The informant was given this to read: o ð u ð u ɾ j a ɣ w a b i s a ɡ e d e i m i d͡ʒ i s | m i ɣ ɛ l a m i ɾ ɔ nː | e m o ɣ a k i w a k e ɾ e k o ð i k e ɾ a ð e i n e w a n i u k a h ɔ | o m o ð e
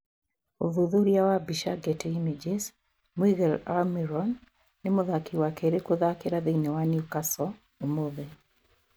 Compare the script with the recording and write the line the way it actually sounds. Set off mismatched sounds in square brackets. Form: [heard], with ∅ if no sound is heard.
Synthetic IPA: o ð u ð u ɾ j a [∅] w a b i [ʃ] a ɡ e [t] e i m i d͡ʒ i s | m i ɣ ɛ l a m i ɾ ɔ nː | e m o [ð] a k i w a k e ɾ e k o ð [a] k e ɾ a ð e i n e w a n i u k a [s] ɔ | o m o ð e